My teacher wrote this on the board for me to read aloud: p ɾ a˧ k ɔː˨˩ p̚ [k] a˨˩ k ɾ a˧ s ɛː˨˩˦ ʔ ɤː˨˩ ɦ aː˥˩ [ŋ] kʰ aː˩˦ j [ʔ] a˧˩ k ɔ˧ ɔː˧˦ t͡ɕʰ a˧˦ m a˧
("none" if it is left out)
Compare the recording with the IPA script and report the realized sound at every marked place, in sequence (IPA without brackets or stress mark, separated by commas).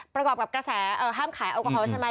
k, m, ʔ